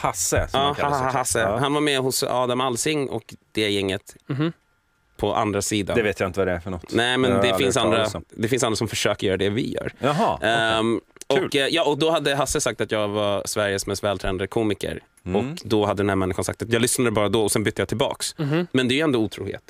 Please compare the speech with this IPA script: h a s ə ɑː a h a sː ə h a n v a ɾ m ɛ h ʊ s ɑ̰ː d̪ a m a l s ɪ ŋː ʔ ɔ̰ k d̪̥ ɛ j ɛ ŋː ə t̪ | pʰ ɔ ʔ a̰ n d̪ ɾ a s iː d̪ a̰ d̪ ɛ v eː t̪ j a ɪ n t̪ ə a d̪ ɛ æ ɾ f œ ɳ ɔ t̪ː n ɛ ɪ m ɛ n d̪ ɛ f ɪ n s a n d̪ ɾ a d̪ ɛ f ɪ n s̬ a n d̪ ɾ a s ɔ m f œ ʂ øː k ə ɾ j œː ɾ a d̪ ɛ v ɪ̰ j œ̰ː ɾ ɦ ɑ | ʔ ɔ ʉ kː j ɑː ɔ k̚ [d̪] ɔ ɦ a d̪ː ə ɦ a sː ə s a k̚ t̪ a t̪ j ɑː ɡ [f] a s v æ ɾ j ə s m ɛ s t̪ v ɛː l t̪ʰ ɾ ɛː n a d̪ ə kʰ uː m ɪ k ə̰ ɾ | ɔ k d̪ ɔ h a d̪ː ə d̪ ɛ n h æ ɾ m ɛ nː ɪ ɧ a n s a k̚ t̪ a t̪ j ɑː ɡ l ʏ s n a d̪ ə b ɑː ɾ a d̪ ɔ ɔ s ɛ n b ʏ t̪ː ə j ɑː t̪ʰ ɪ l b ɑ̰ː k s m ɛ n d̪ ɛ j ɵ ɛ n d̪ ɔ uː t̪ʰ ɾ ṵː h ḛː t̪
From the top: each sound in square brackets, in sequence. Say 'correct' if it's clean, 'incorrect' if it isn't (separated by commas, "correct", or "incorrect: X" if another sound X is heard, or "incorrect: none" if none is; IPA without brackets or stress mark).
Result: correct, incorrect: v